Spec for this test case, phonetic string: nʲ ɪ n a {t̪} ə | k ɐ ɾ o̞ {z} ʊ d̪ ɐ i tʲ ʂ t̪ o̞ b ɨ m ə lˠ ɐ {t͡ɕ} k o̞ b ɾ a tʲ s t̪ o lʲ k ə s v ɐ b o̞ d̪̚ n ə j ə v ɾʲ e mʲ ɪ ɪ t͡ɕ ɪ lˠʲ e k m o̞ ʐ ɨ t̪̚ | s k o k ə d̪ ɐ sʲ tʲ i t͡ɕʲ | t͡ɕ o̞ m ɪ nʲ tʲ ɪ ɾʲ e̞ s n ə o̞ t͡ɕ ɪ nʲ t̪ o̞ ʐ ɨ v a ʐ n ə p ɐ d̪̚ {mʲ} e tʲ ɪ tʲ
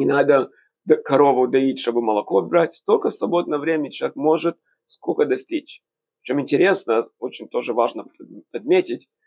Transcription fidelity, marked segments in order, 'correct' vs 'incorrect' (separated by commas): incorrect, incorrect, incorrect, correct